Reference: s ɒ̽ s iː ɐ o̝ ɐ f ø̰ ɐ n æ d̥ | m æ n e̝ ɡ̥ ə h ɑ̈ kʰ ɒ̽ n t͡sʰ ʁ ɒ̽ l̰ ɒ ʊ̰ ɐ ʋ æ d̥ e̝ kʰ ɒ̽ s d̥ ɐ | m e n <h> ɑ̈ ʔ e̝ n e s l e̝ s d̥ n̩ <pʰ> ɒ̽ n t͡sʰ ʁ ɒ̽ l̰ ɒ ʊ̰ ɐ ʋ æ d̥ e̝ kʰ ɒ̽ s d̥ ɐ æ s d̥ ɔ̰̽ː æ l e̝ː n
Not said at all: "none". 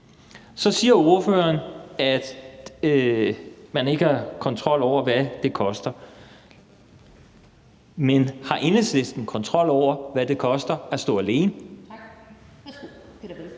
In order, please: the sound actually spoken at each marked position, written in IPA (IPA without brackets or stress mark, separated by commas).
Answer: h, kʰ